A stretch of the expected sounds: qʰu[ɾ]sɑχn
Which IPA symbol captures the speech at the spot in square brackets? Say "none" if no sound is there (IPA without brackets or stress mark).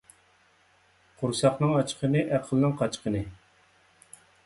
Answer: ɾ